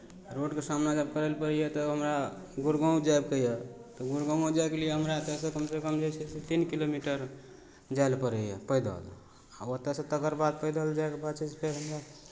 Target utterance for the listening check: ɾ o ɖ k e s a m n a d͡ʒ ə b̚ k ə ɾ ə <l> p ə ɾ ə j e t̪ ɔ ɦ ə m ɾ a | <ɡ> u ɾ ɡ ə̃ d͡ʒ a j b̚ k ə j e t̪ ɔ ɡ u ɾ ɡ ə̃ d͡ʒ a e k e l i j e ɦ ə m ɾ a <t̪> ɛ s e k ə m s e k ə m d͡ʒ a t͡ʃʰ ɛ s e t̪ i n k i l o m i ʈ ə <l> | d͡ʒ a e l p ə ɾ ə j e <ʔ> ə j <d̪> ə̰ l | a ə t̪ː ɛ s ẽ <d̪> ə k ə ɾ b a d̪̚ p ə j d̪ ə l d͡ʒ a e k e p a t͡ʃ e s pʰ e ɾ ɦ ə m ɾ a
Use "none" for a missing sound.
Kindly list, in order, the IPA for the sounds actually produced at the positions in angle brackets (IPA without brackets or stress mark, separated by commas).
l, ɡ, t̪, ɾ, p, d̪, t̪